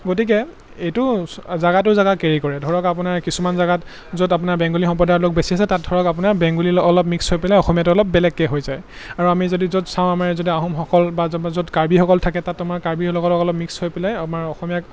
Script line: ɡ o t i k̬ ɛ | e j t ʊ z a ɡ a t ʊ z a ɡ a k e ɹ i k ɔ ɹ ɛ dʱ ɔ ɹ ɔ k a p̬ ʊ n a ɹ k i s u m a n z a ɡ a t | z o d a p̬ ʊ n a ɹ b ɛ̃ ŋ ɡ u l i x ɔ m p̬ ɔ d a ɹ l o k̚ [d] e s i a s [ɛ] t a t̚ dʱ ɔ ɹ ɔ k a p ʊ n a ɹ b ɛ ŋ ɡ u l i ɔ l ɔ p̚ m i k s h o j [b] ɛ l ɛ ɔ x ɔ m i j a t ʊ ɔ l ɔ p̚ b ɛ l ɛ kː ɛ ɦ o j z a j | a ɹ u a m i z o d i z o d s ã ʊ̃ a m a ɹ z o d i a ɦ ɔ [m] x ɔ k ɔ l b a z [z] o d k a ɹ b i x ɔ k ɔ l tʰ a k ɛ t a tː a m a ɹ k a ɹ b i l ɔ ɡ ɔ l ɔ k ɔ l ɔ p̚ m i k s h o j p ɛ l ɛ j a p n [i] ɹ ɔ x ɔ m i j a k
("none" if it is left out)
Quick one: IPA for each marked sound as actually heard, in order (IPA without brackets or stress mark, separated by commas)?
b, ɛ, p, m, z, a